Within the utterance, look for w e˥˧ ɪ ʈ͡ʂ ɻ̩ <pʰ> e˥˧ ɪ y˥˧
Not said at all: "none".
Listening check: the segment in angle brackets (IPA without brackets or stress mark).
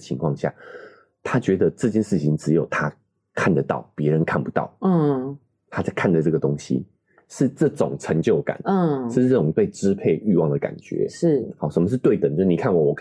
pʰ